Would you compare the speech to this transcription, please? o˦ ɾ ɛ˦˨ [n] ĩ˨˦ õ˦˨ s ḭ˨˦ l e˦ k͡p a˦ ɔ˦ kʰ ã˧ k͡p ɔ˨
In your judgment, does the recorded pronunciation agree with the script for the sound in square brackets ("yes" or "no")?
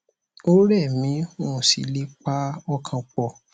no